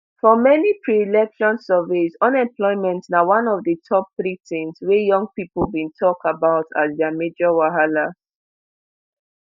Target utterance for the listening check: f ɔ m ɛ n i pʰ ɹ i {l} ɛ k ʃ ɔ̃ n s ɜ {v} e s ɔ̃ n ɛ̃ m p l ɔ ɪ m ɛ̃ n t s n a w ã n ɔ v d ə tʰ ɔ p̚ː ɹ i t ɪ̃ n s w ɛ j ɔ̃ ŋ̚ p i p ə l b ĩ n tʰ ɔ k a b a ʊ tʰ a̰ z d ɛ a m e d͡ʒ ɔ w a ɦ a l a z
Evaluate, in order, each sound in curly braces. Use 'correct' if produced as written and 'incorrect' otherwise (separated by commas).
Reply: correct, correct